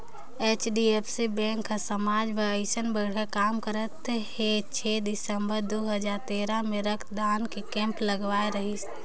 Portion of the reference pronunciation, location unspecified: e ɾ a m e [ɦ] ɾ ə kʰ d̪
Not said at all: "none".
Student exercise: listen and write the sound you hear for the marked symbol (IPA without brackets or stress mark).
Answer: none